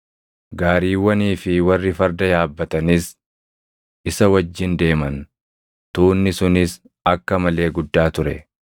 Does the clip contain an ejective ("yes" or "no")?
no